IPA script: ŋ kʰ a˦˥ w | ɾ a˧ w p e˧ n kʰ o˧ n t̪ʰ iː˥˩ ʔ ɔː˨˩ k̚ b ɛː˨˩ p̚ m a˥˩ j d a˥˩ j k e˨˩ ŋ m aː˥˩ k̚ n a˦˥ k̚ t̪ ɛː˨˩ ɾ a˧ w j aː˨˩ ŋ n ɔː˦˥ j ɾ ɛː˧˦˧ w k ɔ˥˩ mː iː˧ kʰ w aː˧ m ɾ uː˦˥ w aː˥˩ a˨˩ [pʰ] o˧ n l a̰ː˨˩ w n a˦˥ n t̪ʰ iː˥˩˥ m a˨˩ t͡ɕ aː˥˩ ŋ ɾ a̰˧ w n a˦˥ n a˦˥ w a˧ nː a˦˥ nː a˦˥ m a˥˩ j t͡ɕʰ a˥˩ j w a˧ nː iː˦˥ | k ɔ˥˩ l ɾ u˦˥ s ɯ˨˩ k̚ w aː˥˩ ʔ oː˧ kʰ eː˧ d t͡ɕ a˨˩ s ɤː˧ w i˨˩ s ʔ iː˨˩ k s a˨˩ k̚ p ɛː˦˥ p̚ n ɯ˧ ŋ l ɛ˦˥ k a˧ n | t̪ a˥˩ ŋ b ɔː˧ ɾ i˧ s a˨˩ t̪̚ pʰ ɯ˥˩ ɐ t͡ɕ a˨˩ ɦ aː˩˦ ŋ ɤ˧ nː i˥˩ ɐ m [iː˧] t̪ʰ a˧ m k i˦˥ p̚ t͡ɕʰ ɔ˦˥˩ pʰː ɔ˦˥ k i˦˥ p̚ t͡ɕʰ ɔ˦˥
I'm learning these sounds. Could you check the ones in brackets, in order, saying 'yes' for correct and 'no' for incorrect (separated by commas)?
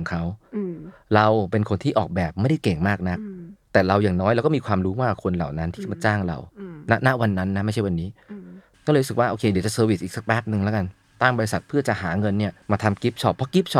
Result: no, no